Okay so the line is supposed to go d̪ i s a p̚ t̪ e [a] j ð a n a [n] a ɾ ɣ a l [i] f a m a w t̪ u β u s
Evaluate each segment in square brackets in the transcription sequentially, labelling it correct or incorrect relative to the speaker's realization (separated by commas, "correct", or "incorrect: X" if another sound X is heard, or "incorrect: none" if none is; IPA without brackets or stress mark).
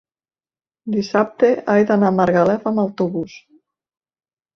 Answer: correct, incorrect: m, incorrect: ɛ